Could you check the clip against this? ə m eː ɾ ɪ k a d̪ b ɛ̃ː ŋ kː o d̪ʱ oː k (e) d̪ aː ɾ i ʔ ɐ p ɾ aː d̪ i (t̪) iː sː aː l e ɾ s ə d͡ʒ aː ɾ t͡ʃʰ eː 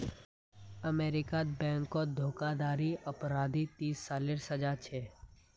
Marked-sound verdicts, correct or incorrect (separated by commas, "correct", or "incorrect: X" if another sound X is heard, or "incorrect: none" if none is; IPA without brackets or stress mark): incorrect: a, correct